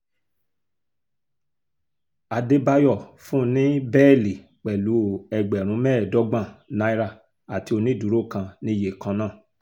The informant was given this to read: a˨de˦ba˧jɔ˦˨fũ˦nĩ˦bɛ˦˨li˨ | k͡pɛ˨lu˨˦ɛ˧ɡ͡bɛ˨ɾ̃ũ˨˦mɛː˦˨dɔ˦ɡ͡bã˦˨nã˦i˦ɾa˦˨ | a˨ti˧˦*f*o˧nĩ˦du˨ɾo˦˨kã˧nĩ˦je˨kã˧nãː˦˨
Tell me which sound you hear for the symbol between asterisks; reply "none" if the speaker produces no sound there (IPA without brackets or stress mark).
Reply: none